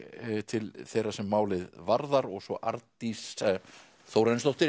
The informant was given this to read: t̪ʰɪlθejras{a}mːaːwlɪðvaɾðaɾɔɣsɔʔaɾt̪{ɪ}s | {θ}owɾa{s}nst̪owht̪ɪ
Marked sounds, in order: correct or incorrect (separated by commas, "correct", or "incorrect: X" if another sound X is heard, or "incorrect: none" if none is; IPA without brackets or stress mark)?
incorrect: ɛ, incorrect: i, correct, incorrect: none